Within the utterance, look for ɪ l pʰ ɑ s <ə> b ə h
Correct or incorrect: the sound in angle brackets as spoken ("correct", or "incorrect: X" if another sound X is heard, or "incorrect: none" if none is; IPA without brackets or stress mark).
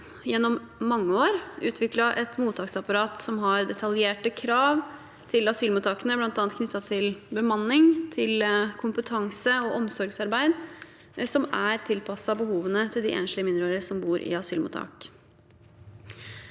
incorrect: ɑ